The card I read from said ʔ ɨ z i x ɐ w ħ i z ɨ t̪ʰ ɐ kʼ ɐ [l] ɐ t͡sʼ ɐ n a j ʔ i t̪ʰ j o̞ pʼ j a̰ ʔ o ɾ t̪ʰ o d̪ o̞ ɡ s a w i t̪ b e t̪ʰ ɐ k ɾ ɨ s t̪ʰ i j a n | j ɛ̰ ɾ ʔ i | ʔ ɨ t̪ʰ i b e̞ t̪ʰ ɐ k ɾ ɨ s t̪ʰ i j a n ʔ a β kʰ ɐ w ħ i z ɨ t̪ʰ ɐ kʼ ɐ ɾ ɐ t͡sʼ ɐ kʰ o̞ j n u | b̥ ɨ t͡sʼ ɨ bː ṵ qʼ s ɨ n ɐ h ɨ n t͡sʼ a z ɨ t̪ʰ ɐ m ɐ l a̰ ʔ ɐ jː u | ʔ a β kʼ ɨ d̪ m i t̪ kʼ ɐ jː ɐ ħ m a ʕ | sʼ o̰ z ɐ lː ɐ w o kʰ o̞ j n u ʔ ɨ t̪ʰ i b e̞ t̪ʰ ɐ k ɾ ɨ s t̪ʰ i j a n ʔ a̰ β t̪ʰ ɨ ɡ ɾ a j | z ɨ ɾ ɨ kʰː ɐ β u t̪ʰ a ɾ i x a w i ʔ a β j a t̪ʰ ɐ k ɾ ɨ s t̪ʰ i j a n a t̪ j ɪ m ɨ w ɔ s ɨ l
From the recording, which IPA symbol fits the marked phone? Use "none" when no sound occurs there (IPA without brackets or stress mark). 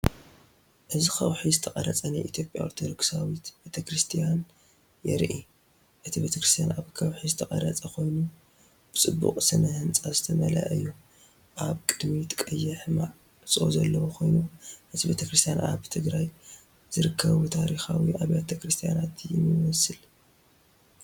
ɾ